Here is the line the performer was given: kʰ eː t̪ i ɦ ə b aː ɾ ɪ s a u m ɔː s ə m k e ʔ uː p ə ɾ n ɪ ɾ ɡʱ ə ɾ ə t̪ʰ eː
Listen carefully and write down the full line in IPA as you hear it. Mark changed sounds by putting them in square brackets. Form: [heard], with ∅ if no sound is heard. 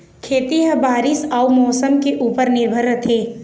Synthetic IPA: kʰ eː t̪ i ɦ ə b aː ɾ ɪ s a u m ɔː s ə m k e ʔ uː p ə ɾ n ɪ ɾ [bʱ] ə ɾ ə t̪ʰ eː